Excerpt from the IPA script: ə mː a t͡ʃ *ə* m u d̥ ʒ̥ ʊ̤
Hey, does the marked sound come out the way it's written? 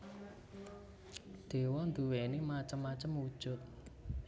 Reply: yes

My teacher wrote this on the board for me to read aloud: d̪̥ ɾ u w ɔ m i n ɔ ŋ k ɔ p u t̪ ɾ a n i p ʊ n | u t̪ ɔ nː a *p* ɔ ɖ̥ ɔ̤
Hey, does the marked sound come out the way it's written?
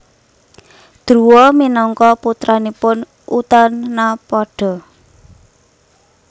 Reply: yes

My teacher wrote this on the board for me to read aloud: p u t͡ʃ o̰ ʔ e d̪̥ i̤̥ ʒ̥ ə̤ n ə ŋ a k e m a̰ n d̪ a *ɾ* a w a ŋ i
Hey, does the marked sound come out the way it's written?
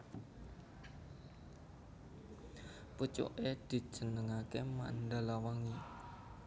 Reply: no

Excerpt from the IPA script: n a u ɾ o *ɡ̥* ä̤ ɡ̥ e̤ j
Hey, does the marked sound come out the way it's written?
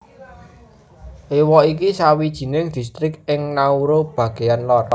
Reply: no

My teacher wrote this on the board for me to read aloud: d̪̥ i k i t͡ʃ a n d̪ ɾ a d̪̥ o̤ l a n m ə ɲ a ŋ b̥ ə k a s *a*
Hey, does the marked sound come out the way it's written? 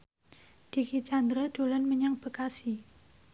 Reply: no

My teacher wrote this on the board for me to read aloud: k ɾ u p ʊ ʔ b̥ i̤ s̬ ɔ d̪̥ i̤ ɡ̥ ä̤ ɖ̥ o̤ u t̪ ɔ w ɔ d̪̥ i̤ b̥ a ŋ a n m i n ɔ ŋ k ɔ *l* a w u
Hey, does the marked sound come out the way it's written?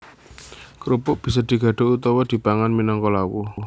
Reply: yes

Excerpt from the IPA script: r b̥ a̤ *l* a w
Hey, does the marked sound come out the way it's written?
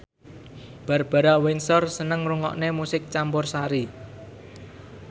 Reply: no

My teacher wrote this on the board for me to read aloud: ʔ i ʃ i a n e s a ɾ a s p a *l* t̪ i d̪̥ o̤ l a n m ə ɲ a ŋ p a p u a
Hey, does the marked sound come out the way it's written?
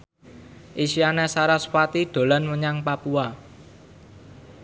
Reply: no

